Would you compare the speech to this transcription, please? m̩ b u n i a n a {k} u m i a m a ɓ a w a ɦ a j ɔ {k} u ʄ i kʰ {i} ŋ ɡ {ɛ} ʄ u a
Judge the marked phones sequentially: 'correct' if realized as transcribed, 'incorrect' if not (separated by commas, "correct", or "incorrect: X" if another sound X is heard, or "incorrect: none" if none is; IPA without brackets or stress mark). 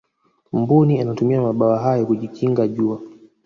incorrect: t, correct, correct, incorrect: a